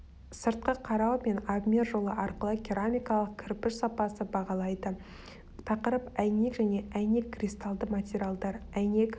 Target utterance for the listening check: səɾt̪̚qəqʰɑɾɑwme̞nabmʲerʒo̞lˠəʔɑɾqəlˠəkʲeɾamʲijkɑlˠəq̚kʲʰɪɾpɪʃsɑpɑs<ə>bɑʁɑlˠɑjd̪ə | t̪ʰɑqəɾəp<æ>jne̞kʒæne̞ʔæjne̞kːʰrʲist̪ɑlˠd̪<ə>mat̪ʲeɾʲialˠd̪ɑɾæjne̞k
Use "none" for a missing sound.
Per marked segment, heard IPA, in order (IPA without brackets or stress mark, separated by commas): ə, æ, ə